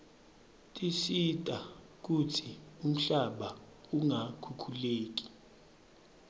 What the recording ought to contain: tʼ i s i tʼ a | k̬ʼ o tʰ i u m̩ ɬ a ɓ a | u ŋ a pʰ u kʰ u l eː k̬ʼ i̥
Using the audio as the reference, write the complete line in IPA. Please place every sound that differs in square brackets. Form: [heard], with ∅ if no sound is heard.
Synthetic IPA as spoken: tʼ i s i tʼ a | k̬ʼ [u] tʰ i u m̩ ɬ a ɓ a | u ŋ a [kʰ] u kʰ u l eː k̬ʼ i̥

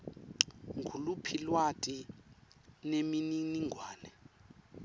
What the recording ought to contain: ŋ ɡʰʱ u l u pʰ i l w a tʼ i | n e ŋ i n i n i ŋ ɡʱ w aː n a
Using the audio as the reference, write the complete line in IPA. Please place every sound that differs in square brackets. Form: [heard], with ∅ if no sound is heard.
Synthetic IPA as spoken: ŋ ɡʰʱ u l u pʰ i l w a tʼ i | n e [m] i n i n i ŋ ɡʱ w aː n [ɛ]

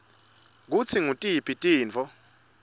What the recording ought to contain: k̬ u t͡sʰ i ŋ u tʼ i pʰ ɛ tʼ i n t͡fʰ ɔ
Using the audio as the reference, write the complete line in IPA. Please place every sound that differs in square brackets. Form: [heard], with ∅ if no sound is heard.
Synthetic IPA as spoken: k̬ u t͡sʰ i ŋ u tʼ i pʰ [i] tʼ [iː] n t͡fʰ ɔ

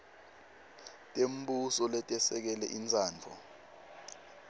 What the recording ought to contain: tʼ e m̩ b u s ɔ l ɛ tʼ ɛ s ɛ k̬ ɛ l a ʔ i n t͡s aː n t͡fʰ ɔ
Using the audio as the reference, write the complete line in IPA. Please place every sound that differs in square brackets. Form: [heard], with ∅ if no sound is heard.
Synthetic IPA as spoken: tʼ e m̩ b u s ɔ l ɛ tʼ ɛ s ɛ k̬ ɛ l [ɛ] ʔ i n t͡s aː n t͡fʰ ɔ

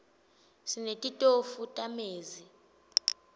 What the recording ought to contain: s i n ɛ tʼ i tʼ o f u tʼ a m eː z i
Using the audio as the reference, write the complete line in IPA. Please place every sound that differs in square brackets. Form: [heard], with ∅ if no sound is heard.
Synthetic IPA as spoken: s i n [e] tʼ i tʼ o f u tʼ a m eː z i

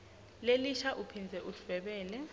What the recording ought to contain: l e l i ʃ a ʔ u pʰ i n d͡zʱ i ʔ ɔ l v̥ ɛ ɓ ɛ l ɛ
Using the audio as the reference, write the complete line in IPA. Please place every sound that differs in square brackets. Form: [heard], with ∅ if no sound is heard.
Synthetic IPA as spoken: l e l i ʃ a ʔ u pʰ i n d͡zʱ [ɛ] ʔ [u] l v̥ ɛ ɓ [ɛː] l ɛ

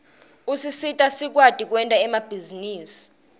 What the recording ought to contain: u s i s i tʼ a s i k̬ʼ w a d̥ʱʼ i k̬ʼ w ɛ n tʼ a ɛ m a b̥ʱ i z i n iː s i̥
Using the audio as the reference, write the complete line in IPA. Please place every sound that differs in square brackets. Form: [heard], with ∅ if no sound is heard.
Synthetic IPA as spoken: u s i s i tʼ a s i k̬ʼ w a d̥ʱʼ i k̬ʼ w ɛ n tʼ a ɛ m a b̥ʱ i z i n iː s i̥

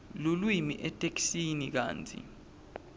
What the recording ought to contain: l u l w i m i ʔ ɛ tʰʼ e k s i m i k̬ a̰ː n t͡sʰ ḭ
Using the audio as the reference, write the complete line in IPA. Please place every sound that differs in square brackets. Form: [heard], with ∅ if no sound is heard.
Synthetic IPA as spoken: l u l w i m i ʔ ɛ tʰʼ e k s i [n] i k̬ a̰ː n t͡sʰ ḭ

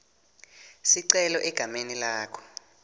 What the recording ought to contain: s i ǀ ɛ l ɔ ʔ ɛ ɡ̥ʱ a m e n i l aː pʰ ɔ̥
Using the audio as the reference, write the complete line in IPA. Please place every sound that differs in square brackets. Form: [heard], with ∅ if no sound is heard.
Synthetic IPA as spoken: s i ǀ ɛ l ɔ ʔ ɛ ɡ̥ʱ a m e n i l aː [kʰ] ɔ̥

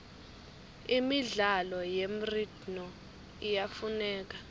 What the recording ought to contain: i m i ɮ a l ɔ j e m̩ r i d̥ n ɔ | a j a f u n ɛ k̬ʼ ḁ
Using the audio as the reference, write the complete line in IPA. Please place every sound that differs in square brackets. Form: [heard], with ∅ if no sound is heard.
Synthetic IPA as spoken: i m i ɮ a l ɔ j e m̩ r i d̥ n ɔ | [i] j a f u n [ɛː] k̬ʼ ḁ

